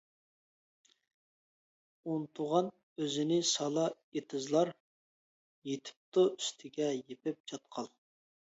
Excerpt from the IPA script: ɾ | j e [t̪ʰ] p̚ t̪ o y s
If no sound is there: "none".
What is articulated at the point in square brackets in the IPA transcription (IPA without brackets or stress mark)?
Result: t̪ʰ